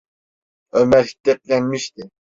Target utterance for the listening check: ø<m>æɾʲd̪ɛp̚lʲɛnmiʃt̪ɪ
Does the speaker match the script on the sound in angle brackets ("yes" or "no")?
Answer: yes